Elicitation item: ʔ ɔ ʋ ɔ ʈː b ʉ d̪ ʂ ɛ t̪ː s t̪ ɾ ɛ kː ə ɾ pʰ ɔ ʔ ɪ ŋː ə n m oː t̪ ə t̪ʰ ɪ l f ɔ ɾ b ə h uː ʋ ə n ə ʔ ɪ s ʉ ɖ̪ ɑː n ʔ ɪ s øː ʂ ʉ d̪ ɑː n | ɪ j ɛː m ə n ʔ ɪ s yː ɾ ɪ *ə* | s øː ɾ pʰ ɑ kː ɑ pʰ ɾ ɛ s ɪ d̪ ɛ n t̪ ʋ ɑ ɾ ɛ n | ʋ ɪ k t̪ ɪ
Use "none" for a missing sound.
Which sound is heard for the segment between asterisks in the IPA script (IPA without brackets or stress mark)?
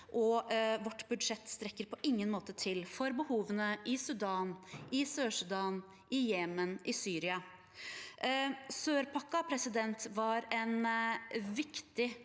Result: ɑ